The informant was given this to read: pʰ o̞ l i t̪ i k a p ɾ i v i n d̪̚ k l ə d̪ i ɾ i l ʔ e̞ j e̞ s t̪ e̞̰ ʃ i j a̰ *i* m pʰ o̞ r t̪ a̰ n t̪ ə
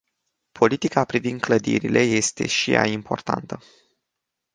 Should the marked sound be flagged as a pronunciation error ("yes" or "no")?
no